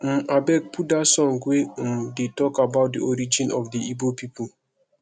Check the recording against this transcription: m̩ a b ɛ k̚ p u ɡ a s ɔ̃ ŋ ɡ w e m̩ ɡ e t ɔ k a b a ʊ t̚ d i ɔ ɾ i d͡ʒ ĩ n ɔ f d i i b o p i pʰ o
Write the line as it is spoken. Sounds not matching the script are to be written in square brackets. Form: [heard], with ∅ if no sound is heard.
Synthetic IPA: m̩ a b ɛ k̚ p u [d] a s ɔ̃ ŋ ɡ w e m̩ [d] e t ɔ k a b a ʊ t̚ d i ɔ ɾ i d͡ʒ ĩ n ɔ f d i i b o p i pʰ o

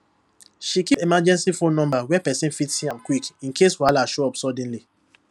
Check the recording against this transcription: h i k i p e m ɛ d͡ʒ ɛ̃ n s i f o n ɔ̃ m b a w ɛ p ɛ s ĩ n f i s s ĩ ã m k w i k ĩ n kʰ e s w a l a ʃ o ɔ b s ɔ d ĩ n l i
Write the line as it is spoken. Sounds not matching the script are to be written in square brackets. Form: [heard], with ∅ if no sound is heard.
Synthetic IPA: [ʃ] i k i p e m [a] d͡ʒ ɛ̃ n s i f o n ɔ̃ m b a w ɛ p ɛ s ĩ n f i [t] s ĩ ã m k w i k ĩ n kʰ e s w a l a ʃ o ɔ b s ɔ d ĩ n l i

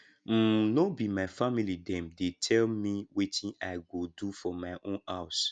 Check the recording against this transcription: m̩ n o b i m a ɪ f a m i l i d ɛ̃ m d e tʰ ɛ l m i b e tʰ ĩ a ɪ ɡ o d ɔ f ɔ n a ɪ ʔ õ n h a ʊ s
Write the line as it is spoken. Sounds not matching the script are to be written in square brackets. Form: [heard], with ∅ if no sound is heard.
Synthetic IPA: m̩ n o b i m a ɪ f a m i l i d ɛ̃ m d e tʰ ɛ l m i [w] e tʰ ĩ a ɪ ɡ o d [u] f ɔ [m] a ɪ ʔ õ n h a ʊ s

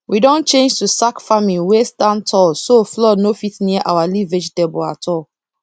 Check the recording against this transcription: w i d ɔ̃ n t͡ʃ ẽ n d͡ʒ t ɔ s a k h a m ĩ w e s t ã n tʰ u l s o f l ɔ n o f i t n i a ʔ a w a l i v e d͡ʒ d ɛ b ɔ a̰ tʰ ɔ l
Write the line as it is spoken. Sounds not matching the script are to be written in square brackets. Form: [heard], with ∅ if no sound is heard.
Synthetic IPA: w i d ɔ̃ n t͡ʃ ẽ n d͡ʒ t [u] s a k [f] a m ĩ w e s t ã n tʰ [ɔ] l s o f l ɔ n o f i t n i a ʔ a w a l i v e d͡ʒ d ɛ b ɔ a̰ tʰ ɔ l

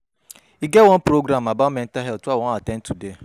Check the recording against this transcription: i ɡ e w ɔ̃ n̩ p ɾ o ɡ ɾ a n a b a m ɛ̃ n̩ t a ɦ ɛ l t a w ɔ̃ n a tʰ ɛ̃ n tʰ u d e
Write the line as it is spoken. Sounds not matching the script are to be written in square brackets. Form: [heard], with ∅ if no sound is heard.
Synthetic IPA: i ɡ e w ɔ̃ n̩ p ɾ o ɡ ɾ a [m] a b a m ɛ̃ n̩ t a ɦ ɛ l t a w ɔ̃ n a [t] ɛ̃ n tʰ u d e

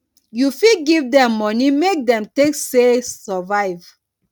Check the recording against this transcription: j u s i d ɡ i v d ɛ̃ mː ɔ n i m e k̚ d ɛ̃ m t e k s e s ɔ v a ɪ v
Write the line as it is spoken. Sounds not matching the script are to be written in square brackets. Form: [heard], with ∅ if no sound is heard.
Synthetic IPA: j u [f] i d ɡ i v d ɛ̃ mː ɔ n i m e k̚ d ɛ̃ m t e k s e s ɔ v a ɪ v

